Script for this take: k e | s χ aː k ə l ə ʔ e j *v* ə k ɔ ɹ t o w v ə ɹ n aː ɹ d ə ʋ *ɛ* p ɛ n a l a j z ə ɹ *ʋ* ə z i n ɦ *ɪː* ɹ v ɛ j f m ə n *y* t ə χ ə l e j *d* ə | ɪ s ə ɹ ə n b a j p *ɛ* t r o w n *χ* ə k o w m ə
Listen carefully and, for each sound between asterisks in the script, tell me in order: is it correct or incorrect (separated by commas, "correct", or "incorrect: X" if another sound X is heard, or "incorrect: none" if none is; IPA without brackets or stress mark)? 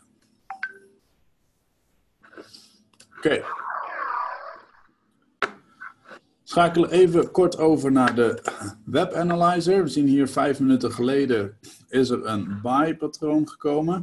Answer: correct, correct, correct, incorrect: iː, correct, correct, incorrect: a, correct